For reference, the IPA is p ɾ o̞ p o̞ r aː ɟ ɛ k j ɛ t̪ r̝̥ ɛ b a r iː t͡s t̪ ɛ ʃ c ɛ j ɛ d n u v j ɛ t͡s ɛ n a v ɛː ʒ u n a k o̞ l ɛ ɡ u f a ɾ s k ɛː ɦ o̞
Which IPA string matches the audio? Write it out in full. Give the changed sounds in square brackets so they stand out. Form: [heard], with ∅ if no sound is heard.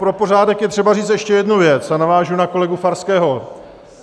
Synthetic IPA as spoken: p ɾ o̞ p o̞ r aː [d] ɛ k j ɛ t̪ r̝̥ ɛ b a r iː t͡s t̪ ɛ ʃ c ɛ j ɛ d n u v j ɛ t͡s [a] n a v [aː] ʒ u n a k o̞ l ɛ ɡ u f a ɾ s k ɛː ɦ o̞